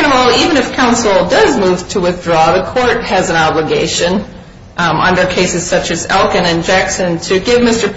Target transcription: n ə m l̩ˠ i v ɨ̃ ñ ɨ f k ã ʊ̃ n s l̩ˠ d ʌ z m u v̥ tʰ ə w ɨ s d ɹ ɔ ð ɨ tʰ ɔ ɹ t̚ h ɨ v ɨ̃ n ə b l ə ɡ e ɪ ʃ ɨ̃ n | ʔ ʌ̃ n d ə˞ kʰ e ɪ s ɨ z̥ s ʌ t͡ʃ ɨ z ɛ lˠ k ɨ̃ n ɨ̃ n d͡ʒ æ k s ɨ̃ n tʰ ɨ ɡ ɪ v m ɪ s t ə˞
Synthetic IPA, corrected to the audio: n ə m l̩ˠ i v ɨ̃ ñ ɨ f kʰ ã ʊ̃ n s l̩ˠ d ʌ z m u v̥ tʰ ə w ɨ θ d ɹ ɔ ð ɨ kʰ ɔ ɹ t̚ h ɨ z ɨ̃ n ɑ b l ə ɡ e ɪ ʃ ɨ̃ n | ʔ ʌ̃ n d ə˞ kʰ e ɪ s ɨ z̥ s ʌ t͡ʃ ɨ z ɛ lˠ k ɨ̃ n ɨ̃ n d͡ʒ æ k s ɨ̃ n tʰ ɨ ɡ ɪ v m ɪ s t ə˞